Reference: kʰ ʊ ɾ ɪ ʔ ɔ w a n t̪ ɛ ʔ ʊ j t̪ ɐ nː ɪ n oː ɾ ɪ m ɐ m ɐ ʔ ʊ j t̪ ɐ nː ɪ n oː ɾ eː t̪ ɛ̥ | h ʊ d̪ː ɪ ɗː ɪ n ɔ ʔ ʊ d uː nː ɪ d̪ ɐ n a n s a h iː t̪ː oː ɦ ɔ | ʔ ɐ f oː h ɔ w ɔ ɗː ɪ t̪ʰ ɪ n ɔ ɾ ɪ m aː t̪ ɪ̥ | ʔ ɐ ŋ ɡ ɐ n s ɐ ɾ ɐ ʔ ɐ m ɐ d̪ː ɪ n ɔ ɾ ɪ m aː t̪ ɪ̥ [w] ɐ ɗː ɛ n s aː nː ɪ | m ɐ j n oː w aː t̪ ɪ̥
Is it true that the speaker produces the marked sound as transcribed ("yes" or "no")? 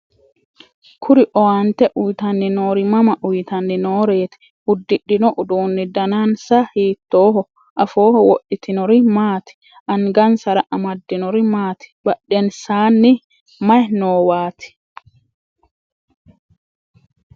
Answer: no